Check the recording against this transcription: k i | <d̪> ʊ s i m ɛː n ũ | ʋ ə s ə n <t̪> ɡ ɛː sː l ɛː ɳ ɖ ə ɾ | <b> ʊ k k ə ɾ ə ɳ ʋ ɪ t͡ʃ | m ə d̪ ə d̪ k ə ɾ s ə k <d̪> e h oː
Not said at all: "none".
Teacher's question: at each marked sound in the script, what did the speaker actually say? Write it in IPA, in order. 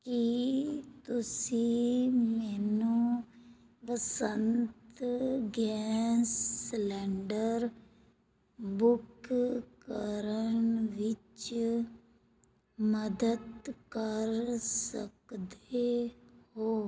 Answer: t̪, t̪, b, d̪

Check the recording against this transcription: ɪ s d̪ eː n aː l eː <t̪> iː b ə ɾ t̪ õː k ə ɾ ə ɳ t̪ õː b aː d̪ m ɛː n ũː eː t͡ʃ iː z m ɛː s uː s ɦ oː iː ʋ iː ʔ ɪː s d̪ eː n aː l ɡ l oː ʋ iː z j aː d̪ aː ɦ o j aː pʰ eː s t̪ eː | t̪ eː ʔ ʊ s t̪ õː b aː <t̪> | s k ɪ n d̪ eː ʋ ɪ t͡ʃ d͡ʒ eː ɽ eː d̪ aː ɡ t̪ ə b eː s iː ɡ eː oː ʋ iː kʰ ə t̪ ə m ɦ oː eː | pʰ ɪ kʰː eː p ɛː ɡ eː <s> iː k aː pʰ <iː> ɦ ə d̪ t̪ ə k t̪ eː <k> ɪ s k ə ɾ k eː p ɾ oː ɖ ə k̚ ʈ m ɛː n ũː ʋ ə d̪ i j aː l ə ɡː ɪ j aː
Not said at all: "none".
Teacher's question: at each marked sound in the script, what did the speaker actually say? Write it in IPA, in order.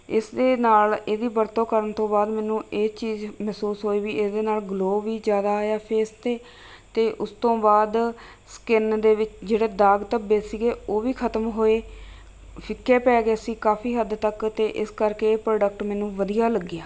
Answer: d̪, d̪, s, iː, ʔ

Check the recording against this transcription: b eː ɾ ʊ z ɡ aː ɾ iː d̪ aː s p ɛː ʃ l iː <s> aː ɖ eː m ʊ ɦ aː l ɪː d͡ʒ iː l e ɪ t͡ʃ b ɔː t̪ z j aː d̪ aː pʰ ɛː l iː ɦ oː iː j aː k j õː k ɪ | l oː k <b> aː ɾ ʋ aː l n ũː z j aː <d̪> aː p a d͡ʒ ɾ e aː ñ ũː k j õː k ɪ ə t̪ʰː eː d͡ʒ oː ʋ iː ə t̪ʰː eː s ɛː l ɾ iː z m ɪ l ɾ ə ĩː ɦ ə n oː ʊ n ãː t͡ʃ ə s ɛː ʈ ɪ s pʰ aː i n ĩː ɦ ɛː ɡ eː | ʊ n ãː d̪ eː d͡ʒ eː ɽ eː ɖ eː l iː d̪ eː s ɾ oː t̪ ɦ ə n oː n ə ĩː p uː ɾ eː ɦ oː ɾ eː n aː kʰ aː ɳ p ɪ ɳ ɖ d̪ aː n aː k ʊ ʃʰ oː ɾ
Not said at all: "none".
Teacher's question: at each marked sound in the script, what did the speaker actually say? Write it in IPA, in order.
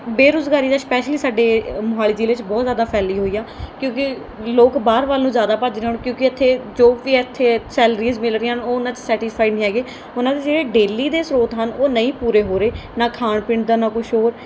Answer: s, b, d̪

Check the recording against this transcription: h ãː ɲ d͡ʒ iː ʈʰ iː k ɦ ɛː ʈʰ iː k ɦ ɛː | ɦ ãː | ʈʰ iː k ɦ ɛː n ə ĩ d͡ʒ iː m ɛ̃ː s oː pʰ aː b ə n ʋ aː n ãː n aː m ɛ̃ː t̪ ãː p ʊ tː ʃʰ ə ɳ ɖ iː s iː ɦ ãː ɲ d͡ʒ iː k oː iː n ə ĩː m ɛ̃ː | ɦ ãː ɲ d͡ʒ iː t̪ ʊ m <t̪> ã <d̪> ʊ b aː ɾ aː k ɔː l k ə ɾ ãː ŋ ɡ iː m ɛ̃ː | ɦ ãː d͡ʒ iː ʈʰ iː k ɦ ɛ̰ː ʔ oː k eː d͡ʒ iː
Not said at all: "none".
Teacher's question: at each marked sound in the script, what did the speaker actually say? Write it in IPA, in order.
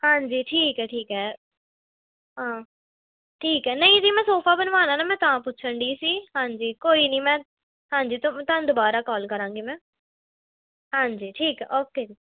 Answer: t̪, d̪

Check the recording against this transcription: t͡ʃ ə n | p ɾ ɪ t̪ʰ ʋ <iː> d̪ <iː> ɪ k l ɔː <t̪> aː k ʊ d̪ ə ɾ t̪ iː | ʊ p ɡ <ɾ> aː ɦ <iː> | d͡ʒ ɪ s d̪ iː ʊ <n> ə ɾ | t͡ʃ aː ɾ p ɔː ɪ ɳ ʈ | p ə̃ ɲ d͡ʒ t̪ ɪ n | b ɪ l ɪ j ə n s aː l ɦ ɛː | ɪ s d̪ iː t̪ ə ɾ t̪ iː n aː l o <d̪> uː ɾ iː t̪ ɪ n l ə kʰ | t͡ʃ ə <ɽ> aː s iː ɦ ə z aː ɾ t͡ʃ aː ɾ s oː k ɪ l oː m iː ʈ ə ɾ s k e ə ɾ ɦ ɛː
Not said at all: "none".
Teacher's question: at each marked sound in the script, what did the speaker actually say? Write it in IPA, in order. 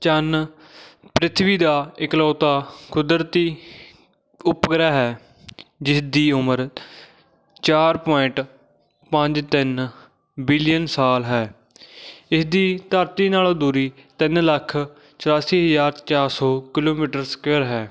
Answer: iː, aː, t̪, ɾ, ɛː, m, d̪, ɾ

